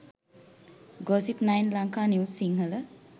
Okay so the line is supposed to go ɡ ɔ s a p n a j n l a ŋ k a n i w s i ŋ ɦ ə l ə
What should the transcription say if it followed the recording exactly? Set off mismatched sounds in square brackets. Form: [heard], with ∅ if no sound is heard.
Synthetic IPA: ɡ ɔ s [i] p n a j n l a ŋ k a n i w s i ŋ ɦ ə l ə